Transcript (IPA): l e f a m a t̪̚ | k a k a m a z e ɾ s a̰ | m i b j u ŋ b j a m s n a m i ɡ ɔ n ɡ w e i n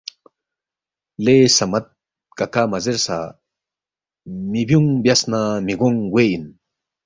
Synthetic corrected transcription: l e s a m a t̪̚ | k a k a m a z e ɾ s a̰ | m i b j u ŋ b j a s n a m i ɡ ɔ ŋ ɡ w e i n